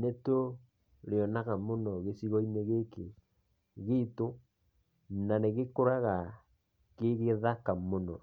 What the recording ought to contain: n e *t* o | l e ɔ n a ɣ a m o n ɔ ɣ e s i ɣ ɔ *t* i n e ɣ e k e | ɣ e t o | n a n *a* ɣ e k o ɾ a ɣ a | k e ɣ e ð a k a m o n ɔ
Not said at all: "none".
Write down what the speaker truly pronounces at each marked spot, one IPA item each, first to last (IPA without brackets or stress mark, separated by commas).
t, none, e